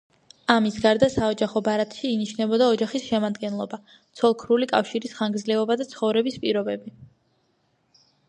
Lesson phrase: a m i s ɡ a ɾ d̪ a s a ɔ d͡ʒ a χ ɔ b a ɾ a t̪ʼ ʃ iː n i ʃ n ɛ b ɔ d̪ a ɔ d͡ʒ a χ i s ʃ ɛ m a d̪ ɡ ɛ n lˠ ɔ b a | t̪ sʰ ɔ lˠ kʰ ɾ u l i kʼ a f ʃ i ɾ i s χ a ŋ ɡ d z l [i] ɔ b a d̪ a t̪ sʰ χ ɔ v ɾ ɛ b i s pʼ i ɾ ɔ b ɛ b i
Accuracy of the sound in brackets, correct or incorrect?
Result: incorrect